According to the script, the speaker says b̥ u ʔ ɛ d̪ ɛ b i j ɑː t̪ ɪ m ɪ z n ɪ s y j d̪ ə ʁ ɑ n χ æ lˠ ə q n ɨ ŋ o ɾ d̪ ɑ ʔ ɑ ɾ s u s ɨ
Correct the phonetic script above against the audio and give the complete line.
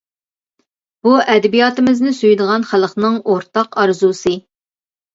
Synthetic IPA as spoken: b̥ u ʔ ɛ d̪ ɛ b i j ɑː t̪ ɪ m ɪ z n ɪ s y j d̪ ə ʁ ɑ n χ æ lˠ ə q n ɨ ŋ o ɾ t̪ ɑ q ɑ ɾ z u s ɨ